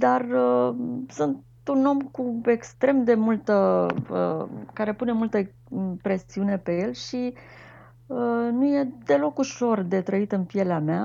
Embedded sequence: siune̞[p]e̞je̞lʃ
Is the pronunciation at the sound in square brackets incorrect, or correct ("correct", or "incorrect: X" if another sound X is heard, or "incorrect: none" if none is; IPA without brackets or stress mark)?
correct